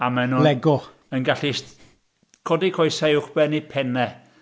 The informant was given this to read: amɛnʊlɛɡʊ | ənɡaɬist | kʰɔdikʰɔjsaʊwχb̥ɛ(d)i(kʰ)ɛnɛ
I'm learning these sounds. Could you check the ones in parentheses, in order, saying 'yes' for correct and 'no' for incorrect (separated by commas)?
no, no